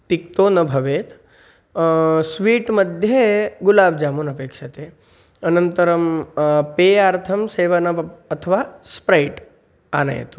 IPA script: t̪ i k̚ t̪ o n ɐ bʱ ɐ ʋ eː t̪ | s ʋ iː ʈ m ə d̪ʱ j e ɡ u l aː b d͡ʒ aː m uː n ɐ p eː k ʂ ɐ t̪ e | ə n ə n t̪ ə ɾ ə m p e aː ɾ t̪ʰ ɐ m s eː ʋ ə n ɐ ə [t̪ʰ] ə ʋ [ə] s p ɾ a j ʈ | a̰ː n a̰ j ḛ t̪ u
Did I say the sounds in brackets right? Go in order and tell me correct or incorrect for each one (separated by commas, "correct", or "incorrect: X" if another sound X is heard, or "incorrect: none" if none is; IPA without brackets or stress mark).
correct, incorrect: a